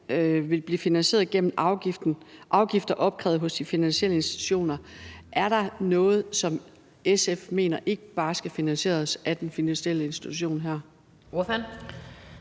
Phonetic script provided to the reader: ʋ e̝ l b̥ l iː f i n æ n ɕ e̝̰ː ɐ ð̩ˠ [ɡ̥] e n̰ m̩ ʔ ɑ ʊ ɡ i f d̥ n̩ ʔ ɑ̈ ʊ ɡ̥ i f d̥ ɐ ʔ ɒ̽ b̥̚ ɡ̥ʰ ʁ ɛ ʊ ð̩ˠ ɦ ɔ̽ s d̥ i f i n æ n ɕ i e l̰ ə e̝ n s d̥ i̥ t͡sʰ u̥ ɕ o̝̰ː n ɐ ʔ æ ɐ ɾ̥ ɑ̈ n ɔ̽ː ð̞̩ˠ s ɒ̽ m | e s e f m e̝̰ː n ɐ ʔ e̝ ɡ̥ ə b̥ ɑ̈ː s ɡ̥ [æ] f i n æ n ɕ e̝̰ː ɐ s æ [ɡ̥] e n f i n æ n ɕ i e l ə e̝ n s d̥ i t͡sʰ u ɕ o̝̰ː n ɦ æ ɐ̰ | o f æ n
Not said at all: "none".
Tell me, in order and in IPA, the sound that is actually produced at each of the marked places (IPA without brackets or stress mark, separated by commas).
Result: ɡ̥, æ, d̥